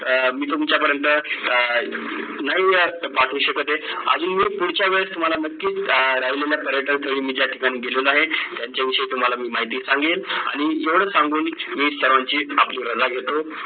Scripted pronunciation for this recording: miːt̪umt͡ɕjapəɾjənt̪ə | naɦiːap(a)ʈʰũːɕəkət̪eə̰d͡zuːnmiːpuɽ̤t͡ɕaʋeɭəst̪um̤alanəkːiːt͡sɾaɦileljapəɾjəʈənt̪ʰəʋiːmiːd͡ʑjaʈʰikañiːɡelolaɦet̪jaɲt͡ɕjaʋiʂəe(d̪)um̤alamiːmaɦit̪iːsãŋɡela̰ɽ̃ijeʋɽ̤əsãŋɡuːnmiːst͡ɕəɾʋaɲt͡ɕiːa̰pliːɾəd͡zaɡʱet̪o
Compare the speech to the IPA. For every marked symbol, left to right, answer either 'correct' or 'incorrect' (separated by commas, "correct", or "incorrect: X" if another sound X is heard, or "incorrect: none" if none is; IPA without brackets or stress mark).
correct, incorrect: t̪